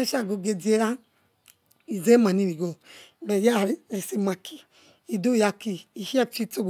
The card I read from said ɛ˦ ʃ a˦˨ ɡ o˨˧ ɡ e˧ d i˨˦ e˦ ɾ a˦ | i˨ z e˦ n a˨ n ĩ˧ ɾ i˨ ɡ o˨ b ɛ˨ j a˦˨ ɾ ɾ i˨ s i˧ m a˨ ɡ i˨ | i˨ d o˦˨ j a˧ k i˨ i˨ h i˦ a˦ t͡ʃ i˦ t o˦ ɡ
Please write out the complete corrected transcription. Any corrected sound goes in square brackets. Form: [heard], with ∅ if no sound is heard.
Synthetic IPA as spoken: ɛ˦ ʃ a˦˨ ɡ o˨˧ ɡ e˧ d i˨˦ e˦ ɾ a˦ | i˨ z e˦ [m] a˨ n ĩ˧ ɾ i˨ ɡ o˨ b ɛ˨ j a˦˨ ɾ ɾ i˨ s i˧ m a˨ [k] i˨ | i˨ d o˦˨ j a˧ k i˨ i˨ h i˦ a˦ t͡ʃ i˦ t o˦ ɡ

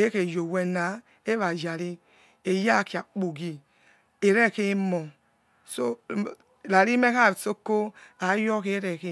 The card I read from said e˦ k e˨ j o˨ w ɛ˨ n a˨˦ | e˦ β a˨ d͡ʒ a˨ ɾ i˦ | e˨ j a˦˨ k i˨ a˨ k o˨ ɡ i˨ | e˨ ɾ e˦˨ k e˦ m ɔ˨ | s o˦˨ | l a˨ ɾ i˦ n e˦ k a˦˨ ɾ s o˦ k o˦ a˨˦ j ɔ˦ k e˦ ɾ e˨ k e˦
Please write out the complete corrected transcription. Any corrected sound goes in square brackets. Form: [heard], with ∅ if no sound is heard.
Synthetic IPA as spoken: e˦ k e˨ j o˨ w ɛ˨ n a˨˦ | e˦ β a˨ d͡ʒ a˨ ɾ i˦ | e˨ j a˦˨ k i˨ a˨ [k͡p] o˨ ɡ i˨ | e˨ ɾ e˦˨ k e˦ m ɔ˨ | s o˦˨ | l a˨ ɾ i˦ [m] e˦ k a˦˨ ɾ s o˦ k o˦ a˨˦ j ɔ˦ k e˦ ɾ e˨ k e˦

